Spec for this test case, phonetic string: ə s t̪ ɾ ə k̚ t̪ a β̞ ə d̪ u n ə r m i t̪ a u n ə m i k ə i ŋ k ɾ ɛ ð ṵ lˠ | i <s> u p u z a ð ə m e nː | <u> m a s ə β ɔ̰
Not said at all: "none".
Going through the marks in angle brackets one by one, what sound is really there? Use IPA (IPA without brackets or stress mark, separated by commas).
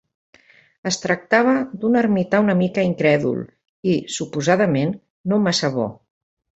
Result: s, o